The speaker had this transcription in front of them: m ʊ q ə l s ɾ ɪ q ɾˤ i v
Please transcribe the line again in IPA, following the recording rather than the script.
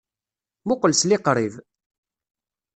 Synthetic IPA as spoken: m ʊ q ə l s l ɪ q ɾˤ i v